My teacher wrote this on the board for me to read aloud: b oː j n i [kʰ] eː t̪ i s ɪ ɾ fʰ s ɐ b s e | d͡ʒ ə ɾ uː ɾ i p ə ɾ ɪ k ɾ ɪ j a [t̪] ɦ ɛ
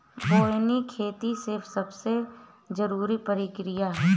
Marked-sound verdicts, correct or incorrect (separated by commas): correct, incorrect